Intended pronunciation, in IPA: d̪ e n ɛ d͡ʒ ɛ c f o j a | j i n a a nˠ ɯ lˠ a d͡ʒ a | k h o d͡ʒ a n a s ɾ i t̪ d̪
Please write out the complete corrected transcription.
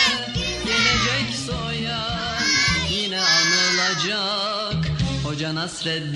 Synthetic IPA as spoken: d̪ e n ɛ d͡ʒ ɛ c s o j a | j i n ɛ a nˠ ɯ lˠ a d͡ʒ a | k h o d͡ʒ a n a s ɾ ɛ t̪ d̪